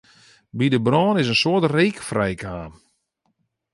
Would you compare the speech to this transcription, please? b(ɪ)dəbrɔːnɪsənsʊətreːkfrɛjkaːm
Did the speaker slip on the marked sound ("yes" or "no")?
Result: yes